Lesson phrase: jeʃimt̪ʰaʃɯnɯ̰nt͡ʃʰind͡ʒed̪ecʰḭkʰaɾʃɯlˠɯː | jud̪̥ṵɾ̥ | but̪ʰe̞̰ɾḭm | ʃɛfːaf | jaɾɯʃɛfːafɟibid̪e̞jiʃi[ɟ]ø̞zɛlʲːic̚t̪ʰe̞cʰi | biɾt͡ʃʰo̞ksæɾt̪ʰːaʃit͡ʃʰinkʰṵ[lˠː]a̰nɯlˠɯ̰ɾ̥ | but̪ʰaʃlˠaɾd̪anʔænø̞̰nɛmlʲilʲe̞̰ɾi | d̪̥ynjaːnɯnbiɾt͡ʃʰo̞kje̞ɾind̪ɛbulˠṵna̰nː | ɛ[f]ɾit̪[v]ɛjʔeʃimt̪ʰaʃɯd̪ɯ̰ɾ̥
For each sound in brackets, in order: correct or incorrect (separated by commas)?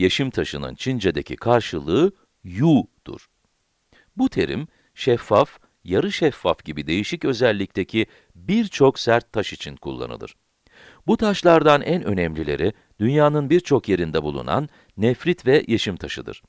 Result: incorrect, correct, correct, correct